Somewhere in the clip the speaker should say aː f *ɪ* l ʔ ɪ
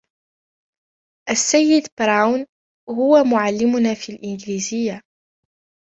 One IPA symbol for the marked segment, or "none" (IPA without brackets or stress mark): i